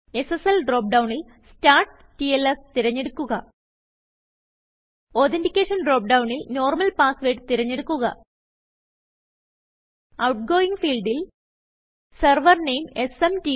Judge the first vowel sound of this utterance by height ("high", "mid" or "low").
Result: mid